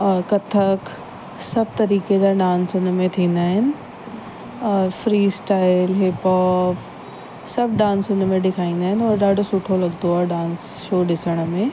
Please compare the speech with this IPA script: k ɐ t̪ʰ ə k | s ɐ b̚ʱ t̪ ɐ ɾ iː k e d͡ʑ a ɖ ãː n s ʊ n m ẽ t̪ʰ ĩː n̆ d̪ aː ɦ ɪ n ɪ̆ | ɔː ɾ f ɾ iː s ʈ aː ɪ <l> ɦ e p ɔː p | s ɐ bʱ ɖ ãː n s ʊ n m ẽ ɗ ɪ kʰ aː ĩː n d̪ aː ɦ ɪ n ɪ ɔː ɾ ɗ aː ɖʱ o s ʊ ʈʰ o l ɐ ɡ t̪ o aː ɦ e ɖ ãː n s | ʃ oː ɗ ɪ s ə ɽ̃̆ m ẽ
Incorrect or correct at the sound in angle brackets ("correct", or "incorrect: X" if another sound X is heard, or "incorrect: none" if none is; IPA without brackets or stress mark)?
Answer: correct